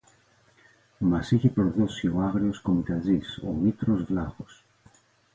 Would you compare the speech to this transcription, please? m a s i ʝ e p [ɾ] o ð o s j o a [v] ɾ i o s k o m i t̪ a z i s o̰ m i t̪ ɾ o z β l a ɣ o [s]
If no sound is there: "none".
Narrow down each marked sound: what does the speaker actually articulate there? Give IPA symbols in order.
ɾ, ɣ, s

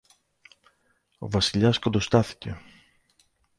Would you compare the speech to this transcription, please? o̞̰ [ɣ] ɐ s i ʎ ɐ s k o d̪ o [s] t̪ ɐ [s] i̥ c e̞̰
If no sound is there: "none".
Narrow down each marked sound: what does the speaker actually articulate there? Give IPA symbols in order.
v, s, θ

